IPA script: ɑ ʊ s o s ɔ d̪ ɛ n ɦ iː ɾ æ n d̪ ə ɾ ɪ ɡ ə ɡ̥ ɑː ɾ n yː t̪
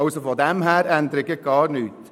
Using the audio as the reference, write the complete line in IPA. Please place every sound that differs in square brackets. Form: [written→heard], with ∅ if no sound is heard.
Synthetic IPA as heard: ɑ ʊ s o [s→f] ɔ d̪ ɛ [n→m] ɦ [iː→æː] ɾ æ n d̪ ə ɾ ɪ ɡ ə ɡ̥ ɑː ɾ n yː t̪

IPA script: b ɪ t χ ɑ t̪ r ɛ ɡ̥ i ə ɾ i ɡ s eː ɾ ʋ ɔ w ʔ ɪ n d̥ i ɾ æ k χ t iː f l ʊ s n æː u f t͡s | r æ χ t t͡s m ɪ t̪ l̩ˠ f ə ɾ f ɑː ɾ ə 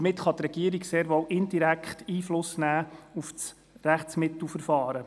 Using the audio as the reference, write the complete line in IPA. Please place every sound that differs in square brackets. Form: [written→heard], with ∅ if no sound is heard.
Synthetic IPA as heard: [b→m] ɪ t χ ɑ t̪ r ɛ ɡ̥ i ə ɾ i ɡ s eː ɾ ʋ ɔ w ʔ ɪ n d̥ i ɾ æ k χ t iː f l ʊ s n æː u f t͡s | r æ χ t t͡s m ɪ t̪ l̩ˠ f ə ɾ f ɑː ɾ ə

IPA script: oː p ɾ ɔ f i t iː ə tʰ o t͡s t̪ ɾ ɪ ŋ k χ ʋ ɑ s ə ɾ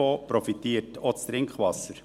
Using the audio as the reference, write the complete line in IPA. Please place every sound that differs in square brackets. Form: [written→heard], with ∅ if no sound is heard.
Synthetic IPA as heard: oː p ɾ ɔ f i t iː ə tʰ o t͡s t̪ ɾ ɪ ŋ k χ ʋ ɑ s ə ɾ

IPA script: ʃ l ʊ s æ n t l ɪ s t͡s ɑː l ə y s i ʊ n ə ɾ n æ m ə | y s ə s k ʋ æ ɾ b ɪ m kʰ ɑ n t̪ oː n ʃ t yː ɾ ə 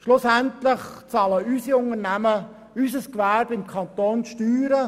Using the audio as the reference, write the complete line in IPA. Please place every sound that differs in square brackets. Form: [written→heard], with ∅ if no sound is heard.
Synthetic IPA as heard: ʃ l ʊ s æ n t l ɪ [s→χ] t͡s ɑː l ə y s i ʊ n ə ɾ n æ m ə | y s ə s k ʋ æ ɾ b ɪ m kʰ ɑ n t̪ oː n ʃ t yː ɾ ə

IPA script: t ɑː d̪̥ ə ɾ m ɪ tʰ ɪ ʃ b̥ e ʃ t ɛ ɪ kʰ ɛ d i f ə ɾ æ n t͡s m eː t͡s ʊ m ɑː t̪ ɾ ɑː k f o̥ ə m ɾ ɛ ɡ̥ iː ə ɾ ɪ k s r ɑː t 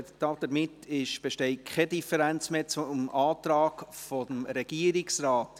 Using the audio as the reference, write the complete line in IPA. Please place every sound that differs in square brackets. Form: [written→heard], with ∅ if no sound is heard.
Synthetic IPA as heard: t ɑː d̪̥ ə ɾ m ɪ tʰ ɪ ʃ b̥ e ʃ t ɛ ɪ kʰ ɛ d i f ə ɾ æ n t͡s m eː t͡s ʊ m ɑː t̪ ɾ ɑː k f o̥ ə m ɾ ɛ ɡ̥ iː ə ɾ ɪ k s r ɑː t

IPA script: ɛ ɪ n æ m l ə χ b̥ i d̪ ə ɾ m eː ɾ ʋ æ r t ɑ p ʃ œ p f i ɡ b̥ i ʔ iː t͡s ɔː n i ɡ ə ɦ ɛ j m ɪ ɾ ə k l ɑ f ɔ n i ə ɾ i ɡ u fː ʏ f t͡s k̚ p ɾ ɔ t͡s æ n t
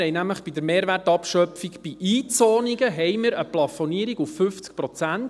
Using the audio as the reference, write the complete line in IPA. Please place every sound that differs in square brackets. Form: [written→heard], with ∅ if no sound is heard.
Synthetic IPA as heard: ɛ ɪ n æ m l ə χ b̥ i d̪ ə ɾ m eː ɾ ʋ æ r t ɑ p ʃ œ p f i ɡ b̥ i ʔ iː t͡s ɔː n i ɡ ə ɦ ɛ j m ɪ ɾ ə [k→p] l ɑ f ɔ n i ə ɾ i ɡ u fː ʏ f t͡s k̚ p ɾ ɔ t͡s æ n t

